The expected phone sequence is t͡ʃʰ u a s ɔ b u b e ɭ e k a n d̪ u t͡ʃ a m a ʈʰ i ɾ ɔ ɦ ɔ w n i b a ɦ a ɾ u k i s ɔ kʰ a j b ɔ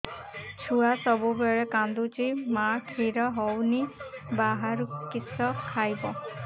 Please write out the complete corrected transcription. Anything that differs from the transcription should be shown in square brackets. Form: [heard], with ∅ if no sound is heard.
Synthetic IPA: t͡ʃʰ u a s ɔ b u b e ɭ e k a n d̪ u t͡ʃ [i] m a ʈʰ i ɾ ɔ ɦ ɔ w n i b a ɦ a ɾ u k i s ɔ kʰ a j b ɔ